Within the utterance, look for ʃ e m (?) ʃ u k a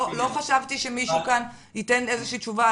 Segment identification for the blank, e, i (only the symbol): i